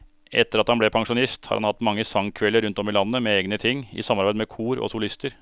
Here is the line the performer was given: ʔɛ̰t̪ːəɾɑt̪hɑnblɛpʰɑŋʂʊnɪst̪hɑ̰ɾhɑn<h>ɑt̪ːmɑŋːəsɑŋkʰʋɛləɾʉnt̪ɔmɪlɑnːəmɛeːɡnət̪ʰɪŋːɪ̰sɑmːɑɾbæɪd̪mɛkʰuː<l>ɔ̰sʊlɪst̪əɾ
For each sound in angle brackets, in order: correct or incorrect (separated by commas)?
correct, incorrect